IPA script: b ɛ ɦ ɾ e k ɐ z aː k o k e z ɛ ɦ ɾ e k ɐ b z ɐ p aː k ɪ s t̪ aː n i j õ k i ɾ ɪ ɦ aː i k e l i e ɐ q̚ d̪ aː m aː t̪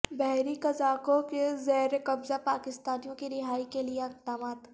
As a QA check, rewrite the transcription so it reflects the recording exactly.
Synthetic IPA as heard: b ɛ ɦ ɾ i k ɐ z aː k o k e z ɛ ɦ ɾ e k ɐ b z a p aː k ɪ s t̪ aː n i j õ k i ɾ ɪ ɦ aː i k e l i e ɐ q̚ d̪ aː m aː t̪